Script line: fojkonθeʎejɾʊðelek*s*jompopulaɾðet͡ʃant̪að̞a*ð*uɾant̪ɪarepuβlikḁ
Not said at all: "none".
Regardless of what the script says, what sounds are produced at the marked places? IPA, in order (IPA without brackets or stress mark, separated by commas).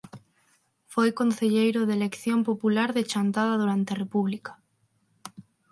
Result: θ, ð